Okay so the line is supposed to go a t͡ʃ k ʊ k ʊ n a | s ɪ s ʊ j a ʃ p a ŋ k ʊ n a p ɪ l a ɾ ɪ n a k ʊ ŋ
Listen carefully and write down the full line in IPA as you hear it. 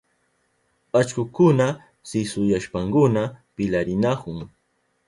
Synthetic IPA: a t͡ʃ k ʊ k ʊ n a | s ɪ s ʊ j a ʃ p a ŋ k ʊ n a p ɪ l a ɾ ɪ n a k ʊ ŋ